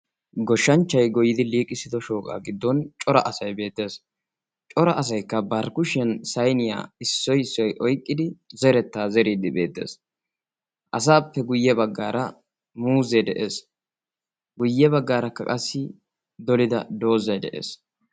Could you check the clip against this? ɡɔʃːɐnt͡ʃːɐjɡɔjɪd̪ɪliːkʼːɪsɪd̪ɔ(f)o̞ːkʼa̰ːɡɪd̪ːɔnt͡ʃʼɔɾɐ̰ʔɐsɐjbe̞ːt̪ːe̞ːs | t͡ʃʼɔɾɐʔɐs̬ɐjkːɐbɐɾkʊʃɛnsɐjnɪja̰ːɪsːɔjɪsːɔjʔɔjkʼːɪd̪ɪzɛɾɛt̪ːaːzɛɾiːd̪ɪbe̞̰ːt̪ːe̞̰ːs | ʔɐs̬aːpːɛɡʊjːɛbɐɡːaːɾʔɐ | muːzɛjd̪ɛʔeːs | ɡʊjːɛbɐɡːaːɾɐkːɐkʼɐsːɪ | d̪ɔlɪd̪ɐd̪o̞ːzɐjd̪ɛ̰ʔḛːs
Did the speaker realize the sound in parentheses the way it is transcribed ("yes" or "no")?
no